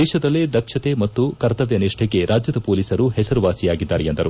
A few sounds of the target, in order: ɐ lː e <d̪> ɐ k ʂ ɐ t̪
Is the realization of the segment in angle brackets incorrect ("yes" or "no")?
no